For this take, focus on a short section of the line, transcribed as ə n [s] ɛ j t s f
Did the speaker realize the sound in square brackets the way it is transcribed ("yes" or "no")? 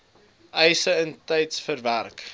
no